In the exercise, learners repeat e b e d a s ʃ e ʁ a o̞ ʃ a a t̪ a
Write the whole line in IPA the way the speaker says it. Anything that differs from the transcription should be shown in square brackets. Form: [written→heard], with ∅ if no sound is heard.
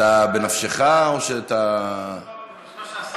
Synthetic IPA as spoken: [e→a] b e [d→n] a [s→f] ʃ e [ʁ→χ] a o̞ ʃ [a→e] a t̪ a